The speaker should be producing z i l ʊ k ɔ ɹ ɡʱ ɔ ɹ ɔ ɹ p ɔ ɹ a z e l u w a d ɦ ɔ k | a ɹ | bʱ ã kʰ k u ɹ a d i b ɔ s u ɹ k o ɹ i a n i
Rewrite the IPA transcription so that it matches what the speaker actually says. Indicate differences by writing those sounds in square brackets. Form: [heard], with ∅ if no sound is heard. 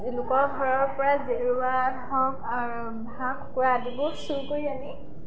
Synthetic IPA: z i l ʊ k ɔ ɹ ɡʱ ɔ ɹ ɔ ɹ p ɔ ɹ a z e [ɹ] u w a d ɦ ɔ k | a ɹ | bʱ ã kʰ k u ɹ a d i b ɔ s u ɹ k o ɹ i a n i